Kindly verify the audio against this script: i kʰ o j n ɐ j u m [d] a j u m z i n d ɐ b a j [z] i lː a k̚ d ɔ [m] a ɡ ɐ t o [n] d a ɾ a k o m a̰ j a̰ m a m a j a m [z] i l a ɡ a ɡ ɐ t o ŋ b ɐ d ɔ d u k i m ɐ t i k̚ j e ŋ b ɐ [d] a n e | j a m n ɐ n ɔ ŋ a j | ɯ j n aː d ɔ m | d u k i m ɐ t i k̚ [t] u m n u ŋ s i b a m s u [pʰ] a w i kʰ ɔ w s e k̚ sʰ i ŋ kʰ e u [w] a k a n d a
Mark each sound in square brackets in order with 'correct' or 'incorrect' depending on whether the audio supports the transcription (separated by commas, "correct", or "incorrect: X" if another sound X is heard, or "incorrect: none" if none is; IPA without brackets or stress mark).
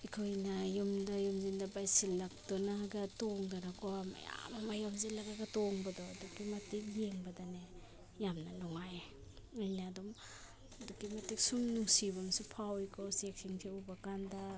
correct, incorrect: s, incorrect: n, incorrect: ŋ, correct, correct, incorrect: s, correct, incorrect: b